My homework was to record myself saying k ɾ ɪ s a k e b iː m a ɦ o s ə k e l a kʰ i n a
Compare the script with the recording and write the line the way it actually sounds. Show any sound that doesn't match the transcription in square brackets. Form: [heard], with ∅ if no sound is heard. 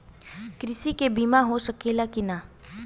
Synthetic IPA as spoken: k ɾ ɪ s [i] k e b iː m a ɦ o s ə k e l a [k] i n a